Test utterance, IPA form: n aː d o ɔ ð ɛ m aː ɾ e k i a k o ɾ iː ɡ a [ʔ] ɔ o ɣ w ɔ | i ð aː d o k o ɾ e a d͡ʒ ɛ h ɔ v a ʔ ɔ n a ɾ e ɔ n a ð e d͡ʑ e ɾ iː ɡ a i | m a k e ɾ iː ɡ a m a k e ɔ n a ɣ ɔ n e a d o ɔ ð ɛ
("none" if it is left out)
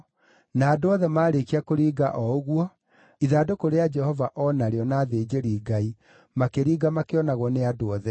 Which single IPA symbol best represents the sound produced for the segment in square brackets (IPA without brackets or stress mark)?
ʔ